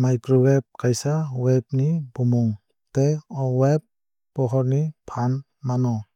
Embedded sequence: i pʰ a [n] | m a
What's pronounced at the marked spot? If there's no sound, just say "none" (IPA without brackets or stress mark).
n